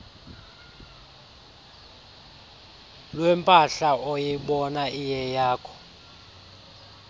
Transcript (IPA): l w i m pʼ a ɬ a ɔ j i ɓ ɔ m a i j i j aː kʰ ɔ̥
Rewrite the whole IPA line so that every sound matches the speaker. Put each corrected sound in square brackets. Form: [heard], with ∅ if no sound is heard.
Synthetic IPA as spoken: l w [ɛ] m pʼ a ɬ a ɔ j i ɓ ɔ [n] a i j [ɛ] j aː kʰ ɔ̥